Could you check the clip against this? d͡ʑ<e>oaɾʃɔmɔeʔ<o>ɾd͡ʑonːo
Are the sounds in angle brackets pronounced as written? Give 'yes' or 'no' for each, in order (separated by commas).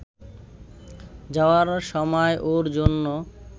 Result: no, yes